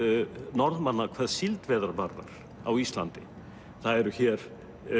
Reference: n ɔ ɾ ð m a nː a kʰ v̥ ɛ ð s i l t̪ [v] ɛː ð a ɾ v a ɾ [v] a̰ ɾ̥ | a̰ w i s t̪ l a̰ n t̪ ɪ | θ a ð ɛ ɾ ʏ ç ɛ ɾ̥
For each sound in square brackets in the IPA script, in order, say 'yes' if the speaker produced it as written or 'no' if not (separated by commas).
yes, no